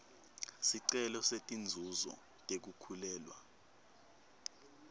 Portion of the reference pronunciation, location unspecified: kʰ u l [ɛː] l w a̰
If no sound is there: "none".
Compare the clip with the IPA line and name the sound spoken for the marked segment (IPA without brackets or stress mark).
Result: ɛː